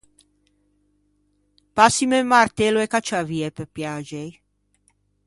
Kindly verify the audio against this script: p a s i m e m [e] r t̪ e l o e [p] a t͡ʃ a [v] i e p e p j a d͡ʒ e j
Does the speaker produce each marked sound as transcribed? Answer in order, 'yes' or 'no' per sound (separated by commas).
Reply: no, no, yes